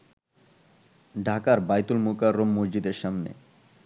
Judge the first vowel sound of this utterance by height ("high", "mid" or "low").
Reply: low